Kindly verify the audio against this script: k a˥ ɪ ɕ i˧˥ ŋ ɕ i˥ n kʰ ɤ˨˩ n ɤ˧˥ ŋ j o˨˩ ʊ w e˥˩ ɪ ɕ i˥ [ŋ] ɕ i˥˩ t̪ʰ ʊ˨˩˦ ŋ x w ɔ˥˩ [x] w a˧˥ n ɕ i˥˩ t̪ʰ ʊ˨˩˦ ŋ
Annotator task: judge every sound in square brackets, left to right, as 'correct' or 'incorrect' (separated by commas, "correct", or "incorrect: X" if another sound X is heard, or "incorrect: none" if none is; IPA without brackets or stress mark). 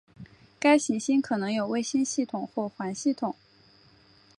incorrect: n, correct